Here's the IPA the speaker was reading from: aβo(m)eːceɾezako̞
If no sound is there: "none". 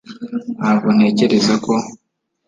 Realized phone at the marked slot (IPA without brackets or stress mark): n